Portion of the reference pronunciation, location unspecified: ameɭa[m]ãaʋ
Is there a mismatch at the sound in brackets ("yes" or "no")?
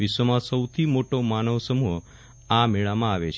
no